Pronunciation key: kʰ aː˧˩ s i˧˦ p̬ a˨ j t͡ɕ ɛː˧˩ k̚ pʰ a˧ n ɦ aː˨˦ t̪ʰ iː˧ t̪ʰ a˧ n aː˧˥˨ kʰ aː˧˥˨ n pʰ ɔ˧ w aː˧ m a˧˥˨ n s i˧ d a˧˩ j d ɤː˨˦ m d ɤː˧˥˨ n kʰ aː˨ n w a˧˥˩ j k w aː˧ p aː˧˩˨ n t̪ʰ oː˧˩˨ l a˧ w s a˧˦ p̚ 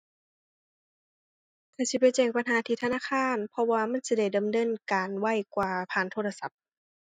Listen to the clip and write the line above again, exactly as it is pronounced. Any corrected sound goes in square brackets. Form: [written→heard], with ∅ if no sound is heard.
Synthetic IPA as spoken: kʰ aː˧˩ s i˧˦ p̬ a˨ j t͡ɕ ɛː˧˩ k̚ [pʰ→p] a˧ n ɦ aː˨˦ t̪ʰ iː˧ t̪ʰ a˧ n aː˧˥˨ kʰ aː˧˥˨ n pʰ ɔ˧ w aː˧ m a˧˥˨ n s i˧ d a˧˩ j d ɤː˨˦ m d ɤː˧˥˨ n [kʰ→k] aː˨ n w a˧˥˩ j k w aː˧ [p→pʰ] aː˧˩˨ n t̪ʰ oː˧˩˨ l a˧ [w→∅] s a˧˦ p̚